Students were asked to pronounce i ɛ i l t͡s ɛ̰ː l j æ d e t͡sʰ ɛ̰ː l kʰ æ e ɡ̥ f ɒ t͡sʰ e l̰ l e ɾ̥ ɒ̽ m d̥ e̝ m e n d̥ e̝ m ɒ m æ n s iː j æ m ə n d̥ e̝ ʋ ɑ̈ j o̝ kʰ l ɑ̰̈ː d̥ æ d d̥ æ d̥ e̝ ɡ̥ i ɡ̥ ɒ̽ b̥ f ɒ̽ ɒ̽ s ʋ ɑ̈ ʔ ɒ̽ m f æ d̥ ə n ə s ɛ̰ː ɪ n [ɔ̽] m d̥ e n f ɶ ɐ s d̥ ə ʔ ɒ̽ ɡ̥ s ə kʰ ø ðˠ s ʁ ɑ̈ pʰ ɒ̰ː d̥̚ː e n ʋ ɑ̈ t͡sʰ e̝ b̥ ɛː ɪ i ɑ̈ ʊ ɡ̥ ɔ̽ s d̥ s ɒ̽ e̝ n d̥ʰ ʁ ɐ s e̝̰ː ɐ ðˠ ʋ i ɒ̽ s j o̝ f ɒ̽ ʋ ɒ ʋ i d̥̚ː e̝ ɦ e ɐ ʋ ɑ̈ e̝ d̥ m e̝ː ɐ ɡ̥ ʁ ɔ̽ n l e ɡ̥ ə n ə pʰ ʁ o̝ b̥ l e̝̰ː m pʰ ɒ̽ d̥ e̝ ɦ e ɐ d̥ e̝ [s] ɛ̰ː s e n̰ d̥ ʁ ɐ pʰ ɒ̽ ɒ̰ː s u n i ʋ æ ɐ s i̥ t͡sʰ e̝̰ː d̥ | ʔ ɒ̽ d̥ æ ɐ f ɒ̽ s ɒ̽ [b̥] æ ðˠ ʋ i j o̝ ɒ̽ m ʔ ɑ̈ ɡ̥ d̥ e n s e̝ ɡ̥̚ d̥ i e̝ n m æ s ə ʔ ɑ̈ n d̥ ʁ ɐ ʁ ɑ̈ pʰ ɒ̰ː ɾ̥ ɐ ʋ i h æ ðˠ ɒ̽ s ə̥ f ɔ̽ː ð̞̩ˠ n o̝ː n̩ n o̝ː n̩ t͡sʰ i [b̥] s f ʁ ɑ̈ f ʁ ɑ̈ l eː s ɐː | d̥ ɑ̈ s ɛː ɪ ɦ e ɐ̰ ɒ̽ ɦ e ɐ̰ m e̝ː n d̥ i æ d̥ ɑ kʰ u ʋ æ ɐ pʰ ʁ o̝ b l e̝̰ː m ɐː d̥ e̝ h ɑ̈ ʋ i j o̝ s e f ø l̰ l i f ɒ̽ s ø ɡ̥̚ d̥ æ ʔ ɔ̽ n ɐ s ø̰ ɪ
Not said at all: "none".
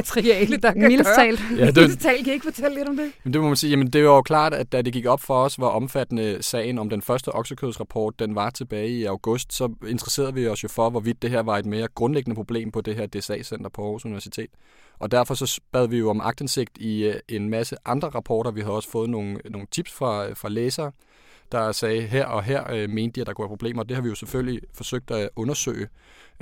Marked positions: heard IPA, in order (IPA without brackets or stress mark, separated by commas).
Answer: ɒ̽, s, b̥, b̥